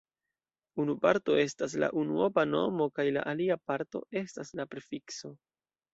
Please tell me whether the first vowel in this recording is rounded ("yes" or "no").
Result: yes